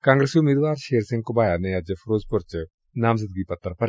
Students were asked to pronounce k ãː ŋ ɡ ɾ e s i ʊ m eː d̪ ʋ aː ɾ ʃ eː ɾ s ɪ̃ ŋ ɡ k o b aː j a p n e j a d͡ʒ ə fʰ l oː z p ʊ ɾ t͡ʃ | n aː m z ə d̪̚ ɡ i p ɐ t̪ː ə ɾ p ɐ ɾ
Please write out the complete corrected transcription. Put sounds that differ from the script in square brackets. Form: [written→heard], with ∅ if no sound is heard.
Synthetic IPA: k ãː ŋ ɡ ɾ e s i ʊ m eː d̪ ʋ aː ɾ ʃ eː ɾ s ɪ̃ ŋ ɡ k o b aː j a [p→∅] n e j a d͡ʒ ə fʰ [l→ɾ] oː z p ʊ ɾ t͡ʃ | n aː m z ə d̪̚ ɡ i p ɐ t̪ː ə ɾ p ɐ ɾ